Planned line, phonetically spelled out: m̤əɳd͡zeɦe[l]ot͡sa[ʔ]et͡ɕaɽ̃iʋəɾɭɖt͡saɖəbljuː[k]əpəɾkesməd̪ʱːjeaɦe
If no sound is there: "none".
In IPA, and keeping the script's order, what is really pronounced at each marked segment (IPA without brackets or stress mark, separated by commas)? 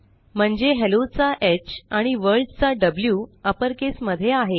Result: l, ʔ, none